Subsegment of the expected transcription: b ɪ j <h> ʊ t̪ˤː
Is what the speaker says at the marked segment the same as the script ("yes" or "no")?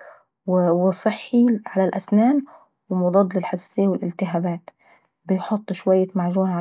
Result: no